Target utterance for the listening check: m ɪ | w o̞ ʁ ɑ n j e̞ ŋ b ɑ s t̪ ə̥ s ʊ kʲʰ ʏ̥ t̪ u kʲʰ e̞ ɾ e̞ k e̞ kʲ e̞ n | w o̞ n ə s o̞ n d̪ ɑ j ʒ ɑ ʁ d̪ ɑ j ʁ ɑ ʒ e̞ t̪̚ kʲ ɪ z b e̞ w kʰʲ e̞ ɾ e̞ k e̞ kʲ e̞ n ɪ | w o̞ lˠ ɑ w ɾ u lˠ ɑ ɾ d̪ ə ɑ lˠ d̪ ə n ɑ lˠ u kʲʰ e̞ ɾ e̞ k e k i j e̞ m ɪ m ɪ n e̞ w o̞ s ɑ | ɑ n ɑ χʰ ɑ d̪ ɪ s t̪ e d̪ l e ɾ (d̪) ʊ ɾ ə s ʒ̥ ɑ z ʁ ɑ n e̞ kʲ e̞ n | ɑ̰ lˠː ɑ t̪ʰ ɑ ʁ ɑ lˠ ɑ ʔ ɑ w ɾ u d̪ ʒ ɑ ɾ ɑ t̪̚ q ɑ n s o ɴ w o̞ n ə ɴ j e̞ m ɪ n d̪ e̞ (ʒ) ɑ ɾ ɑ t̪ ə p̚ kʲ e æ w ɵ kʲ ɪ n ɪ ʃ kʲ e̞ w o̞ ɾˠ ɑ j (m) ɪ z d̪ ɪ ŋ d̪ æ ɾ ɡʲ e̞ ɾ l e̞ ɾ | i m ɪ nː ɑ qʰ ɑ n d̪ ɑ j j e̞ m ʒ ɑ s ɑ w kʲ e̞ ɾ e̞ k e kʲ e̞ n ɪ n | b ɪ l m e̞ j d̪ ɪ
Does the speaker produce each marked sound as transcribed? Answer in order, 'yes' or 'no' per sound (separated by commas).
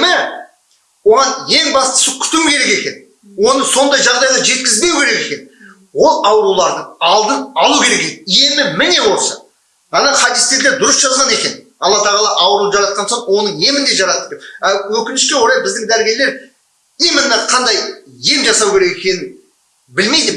yes, yes, no